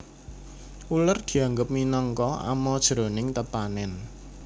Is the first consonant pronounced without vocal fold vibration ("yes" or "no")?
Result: no